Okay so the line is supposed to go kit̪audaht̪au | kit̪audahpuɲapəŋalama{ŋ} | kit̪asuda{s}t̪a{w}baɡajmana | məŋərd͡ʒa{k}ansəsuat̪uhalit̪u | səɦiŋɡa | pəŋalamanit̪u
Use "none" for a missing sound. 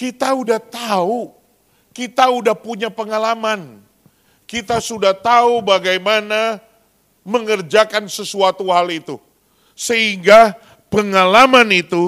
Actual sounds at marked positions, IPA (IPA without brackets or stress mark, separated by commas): n, h, u, k